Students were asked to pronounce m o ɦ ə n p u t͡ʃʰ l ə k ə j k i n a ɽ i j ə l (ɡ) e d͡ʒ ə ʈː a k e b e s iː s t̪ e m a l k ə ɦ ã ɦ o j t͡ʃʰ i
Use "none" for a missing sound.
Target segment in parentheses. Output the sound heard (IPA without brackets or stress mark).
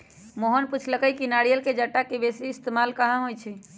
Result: k